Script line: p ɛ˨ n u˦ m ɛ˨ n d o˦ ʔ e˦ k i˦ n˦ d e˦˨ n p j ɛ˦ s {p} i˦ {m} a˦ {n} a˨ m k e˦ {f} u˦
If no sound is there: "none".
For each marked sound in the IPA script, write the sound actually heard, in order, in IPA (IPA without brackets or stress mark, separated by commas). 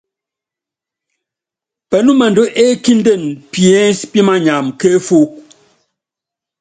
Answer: p, m, ɲ, f